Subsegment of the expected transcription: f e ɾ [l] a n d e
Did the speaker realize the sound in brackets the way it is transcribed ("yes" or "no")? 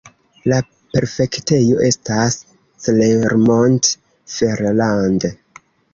yes